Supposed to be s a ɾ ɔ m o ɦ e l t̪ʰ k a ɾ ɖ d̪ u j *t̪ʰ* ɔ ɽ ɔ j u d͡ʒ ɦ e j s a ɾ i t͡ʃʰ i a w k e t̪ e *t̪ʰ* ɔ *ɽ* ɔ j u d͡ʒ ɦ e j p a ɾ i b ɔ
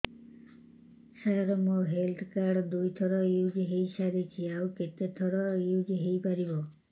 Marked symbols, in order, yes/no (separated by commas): yes, yes, yes